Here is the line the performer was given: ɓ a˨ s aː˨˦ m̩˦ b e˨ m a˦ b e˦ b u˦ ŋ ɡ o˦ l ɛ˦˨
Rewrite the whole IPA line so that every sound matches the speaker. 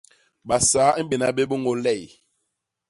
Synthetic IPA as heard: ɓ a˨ s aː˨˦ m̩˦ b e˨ n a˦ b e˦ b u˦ ŋ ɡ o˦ l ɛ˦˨